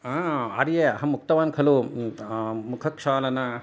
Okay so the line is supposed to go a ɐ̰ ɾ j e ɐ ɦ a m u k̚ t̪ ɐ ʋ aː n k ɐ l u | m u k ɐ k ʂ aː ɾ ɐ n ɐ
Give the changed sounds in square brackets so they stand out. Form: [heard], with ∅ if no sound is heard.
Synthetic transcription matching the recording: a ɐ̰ ɾ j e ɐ ɦ [ɐ] m u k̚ t̪ ɐ ʋ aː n [kʰ] ɐ l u | m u [kʰ] ɐ k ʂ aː [l] ɐ n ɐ